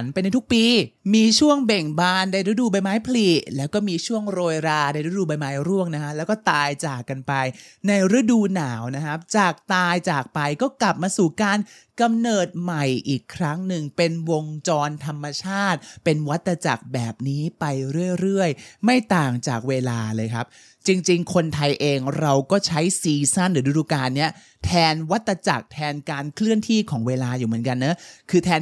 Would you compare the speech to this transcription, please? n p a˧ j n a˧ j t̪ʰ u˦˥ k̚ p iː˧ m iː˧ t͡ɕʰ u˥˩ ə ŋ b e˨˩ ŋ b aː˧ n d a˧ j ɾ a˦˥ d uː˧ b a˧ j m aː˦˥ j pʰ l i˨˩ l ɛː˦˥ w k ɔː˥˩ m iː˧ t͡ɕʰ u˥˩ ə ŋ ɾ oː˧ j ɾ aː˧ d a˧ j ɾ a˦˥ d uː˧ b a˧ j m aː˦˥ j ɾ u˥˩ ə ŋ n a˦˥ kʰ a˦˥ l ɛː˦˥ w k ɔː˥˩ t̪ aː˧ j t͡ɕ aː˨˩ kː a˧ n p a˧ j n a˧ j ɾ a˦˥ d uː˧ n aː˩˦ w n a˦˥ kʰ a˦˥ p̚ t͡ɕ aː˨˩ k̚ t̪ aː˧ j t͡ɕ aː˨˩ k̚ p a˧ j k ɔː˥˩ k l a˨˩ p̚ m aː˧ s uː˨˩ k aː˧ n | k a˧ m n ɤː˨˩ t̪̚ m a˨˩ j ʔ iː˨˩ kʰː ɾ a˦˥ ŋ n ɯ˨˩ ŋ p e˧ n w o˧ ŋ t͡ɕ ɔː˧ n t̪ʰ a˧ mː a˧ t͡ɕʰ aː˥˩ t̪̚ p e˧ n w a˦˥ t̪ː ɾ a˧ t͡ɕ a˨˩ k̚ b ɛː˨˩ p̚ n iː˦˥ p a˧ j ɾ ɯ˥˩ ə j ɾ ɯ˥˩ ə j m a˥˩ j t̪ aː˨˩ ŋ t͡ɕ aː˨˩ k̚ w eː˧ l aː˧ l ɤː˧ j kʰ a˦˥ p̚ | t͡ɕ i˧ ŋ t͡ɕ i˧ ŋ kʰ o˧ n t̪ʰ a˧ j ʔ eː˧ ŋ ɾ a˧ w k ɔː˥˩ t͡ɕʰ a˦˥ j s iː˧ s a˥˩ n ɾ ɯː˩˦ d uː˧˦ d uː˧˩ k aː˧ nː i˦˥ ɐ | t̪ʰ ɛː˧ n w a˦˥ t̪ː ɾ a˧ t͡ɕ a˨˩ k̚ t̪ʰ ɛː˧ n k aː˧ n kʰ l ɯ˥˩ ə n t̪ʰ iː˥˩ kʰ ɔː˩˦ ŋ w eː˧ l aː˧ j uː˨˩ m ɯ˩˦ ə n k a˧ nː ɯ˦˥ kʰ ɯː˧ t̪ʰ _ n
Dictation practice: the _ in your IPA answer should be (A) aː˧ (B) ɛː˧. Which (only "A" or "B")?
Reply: B